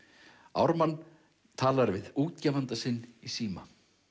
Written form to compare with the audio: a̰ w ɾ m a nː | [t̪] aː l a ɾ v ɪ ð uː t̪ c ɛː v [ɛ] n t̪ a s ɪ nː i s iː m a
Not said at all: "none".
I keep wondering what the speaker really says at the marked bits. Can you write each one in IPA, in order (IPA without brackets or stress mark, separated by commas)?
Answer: t̪ʰ, a